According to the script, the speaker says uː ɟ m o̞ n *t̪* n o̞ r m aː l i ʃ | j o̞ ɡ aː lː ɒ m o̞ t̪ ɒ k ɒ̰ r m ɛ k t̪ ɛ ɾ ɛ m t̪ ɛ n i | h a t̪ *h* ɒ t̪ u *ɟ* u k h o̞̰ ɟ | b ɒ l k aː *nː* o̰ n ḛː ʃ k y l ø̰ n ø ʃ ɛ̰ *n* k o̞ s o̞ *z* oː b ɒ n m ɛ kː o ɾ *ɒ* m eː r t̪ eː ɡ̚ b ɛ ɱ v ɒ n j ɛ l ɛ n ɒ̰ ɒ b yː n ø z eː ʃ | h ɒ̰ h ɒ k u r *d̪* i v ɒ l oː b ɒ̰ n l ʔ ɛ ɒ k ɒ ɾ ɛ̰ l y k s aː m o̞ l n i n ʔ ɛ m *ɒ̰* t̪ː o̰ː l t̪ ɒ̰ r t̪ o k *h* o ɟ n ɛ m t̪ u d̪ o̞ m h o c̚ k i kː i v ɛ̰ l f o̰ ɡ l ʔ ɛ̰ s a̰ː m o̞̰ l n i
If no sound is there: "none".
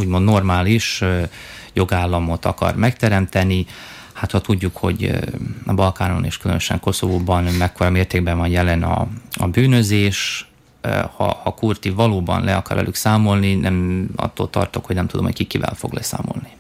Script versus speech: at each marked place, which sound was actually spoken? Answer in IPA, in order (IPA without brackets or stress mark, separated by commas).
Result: d̪, h, ɟː, n, ŋ, v, ɒ, t̪, ɒ̰, h